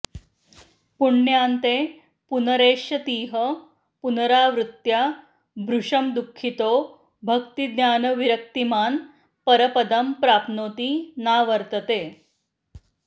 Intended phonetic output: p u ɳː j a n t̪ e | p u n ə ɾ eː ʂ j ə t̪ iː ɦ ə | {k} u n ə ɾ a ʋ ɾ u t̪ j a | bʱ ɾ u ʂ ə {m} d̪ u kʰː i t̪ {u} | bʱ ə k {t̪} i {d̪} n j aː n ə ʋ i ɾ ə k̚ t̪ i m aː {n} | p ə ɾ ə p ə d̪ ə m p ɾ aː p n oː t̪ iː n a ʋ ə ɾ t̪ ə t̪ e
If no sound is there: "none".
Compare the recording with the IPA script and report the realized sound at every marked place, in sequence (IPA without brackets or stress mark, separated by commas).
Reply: p, m, o, t̪, d̪, n